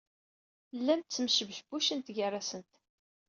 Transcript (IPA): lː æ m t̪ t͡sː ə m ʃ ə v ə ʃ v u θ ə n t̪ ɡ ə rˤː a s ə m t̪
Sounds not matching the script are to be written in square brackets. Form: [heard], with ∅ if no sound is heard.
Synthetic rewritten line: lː æ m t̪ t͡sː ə m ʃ ə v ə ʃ [b] u [ʃ] ə n t̪ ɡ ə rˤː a s ə [n] t̪